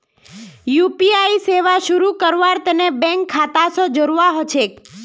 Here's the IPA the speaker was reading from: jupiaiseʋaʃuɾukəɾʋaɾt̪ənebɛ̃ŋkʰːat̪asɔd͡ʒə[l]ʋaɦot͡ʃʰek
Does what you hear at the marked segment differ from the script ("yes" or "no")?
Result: yes